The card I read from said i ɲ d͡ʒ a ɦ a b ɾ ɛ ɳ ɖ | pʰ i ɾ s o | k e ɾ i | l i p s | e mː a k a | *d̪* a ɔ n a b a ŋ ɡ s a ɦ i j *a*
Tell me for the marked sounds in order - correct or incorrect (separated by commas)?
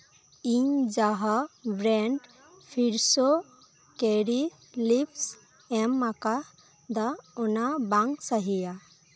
correct, correct